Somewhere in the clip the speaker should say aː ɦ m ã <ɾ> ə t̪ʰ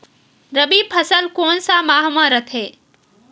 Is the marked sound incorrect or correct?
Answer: correct